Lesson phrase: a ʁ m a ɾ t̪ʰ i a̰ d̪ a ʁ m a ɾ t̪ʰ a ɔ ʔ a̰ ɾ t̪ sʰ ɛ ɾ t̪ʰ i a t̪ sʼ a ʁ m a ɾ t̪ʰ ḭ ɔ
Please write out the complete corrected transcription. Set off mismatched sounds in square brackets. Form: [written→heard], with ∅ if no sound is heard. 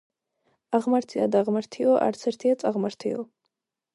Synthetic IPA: a ʁ m a ɾ t̪ʰ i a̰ d̪ a ʁ m a ɾ t̪ʰ [a→i] ɔ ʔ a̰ ɾ t̪ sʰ ɛ ɾ t̪ʰ i a t̪ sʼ a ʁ m a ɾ t̪ʰ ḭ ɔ